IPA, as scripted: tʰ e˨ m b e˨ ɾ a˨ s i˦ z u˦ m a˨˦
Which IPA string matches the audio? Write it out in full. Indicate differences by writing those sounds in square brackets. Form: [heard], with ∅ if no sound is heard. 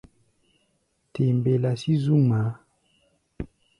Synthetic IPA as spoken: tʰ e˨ m b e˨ [l] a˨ s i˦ z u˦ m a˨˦